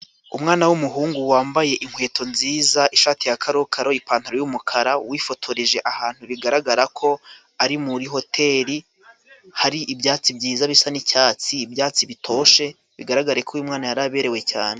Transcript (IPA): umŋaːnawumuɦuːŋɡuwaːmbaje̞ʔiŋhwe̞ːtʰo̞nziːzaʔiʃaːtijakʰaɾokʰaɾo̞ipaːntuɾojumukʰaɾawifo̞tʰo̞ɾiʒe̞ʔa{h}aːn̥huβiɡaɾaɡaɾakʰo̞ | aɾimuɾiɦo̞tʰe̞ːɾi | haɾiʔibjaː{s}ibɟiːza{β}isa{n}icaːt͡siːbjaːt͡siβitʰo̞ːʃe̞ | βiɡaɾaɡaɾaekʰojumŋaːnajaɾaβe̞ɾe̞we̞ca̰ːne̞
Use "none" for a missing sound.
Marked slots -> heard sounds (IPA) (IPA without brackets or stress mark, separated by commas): h, t͡s, β, n